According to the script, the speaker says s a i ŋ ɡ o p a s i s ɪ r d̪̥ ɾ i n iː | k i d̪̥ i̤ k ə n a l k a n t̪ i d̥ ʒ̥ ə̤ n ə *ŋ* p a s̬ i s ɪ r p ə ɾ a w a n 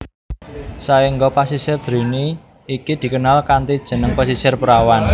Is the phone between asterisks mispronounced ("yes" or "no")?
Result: no